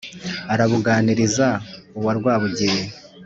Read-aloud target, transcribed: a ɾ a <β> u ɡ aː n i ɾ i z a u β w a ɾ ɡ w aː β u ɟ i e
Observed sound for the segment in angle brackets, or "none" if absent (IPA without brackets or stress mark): β